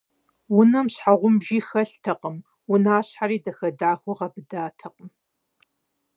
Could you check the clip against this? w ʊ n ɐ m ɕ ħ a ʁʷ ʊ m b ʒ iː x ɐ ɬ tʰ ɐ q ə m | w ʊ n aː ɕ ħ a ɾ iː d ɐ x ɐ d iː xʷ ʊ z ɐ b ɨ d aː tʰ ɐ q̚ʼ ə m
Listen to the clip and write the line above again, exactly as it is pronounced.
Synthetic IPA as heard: w ʊ n ɐ m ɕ ħ a ʁʷ ʊ m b ʒ iː x ɐ ɬ tʰ ɐ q ə m | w ʊ n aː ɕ ħ a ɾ iː d ɐ x ɐ d aː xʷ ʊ ʁ ɐ b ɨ d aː tʰ ɐ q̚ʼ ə m